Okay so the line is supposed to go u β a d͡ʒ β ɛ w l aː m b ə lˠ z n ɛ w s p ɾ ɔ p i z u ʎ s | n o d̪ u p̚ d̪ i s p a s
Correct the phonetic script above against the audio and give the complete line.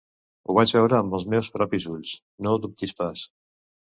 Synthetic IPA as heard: u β a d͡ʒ β ɛ w ɾ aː m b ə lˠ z m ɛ w s p ɾ ɔ p i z u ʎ s | n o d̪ u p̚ t̪ i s p a s